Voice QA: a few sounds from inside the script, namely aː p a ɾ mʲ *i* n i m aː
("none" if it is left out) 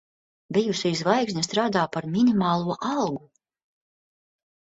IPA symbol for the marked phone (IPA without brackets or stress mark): i